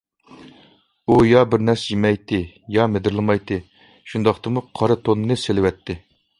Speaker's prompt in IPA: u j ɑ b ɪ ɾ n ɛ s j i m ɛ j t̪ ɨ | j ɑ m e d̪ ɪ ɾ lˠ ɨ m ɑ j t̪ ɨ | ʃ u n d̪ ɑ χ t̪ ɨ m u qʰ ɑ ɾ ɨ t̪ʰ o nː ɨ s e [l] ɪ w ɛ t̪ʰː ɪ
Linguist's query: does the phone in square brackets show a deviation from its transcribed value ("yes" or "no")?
no